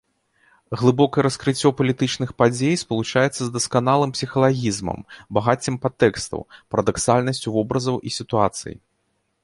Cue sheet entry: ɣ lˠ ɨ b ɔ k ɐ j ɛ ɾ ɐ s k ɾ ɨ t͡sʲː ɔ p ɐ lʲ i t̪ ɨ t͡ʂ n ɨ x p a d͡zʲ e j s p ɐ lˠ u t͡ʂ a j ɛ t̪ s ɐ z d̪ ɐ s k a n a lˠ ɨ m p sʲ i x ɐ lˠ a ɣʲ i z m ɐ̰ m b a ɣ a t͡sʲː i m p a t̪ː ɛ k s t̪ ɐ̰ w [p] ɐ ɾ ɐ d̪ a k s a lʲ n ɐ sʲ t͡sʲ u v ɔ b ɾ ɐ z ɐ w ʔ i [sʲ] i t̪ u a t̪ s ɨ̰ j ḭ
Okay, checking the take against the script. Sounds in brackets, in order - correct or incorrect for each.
correct, correct

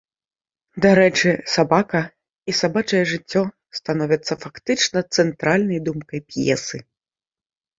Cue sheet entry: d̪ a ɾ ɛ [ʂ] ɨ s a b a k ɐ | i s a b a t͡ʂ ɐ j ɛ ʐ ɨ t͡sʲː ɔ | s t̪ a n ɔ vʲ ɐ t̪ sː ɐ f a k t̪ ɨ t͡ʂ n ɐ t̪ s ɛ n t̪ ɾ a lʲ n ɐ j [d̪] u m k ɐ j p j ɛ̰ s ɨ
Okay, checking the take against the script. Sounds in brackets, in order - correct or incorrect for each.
incorrect, correct

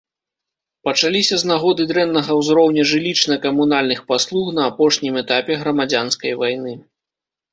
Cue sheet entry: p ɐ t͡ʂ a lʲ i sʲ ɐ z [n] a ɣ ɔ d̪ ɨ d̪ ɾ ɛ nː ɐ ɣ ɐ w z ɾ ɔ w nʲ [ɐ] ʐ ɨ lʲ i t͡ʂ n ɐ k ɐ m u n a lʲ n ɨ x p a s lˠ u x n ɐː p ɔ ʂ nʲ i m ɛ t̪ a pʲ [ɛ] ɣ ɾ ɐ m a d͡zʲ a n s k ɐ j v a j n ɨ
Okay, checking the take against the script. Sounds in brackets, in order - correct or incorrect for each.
correct, correct, correct

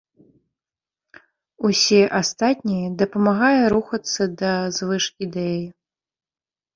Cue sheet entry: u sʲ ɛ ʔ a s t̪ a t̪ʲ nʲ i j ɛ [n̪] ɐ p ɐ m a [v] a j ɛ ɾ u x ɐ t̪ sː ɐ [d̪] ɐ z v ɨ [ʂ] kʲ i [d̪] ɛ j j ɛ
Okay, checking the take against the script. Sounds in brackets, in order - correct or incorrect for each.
incorrect, incorrect, correct, correct, correct

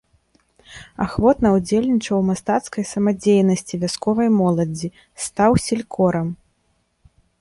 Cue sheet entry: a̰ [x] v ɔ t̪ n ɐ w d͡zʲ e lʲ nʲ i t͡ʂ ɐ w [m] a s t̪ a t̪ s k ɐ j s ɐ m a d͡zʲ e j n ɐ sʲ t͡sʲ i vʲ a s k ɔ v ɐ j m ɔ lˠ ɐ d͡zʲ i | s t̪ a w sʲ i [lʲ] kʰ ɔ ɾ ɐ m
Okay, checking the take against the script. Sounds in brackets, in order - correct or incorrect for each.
correct, correct, correct

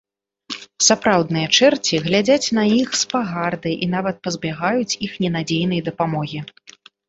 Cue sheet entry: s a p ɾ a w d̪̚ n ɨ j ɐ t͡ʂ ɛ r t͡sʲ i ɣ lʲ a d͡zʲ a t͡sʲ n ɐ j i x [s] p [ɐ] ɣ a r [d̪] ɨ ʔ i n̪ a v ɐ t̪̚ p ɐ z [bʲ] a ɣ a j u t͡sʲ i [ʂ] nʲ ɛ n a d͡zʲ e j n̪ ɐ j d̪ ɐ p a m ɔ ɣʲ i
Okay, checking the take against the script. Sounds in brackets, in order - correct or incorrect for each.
correct, incorrect, correct, correct, incorrect

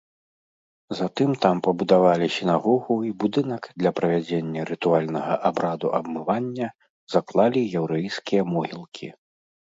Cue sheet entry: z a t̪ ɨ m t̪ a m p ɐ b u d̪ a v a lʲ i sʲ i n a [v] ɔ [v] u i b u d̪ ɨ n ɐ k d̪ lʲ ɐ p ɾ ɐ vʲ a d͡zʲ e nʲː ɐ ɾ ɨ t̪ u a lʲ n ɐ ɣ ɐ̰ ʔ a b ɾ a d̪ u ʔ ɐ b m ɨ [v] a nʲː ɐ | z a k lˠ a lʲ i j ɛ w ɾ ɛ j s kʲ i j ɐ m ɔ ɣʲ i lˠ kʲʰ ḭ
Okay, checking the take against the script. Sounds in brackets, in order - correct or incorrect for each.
incorrect, incorrect, correct

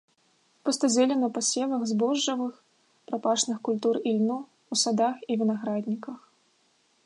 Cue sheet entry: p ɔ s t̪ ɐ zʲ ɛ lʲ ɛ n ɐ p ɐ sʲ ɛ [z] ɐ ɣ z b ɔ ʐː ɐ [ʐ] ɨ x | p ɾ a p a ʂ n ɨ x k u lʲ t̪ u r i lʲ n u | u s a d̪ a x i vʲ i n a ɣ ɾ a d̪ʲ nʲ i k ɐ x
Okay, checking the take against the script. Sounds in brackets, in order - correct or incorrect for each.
incorrect, incorrect

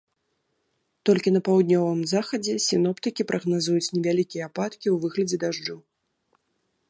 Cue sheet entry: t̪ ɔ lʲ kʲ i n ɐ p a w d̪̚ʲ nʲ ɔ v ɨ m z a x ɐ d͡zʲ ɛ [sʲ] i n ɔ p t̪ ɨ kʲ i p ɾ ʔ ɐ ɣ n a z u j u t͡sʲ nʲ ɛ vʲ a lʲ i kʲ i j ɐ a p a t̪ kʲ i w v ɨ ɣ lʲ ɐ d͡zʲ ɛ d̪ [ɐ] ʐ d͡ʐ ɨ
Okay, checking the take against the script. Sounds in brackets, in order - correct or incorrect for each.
correct, incorrect

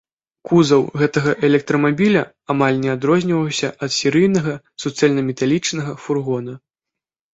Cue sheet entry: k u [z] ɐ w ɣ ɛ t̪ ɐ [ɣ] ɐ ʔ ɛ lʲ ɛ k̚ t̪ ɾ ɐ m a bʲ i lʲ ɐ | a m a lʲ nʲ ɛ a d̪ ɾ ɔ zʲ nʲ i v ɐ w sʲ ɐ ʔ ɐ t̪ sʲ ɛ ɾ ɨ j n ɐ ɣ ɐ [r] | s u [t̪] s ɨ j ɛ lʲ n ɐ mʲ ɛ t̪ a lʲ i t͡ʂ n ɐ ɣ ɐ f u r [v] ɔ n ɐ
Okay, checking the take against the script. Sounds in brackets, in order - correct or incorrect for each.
correct, correct, incorrect, correct, incorrect

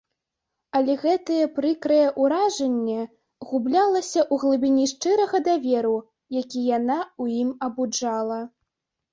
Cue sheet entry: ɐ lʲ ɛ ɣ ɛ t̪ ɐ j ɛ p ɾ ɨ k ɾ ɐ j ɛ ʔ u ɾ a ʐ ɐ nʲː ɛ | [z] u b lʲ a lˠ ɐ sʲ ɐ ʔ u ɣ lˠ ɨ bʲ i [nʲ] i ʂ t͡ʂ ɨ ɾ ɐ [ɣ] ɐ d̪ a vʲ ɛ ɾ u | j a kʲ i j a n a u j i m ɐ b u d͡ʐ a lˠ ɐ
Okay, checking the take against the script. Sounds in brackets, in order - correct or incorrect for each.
incorrect, correct, correct

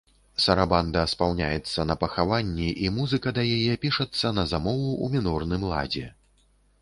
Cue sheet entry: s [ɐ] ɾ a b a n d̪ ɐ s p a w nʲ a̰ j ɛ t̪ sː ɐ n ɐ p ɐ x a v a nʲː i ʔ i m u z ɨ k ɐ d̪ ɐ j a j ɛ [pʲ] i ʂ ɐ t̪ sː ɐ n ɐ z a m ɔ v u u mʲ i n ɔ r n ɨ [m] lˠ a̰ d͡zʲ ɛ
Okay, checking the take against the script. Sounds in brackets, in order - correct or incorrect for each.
correct, correct, correct

